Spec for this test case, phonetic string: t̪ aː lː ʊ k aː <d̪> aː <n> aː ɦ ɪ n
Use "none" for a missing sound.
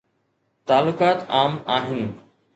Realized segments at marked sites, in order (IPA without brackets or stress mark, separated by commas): t̪, m